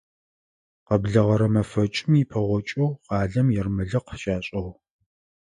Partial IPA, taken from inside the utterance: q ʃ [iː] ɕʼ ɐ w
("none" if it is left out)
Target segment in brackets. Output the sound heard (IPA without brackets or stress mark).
aː